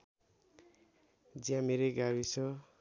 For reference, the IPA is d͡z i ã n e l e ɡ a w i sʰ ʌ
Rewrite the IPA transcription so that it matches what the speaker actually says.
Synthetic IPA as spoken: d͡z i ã m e ɾ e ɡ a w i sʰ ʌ